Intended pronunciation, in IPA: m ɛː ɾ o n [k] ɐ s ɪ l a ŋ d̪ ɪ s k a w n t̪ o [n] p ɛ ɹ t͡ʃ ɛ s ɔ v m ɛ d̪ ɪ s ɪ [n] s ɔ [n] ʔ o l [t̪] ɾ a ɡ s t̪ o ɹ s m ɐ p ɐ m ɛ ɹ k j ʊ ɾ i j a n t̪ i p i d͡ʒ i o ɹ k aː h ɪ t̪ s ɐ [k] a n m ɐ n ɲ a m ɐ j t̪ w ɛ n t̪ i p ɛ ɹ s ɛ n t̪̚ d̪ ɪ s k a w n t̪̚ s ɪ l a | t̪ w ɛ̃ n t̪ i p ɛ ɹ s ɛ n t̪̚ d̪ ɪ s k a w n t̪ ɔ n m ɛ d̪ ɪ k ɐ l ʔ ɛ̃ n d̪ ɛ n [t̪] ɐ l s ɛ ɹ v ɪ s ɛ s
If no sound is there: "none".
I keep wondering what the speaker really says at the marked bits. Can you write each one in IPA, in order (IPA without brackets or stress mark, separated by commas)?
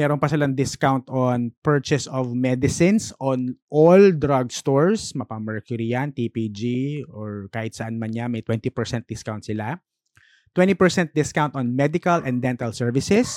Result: p, n, n, n, d̪, ʔ, t̪